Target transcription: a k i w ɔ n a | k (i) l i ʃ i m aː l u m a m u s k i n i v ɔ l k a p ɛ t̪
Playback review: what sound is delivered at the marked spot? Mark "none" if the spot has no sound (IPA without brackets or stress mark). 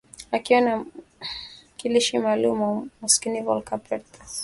i